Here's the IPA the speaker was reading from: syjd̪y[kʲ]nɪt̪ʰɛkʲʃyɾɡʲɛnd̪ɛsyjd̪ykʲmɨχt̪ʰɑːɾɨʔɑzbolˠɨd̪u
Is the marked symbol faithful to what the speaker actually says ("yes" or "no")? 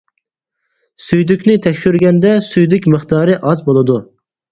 yes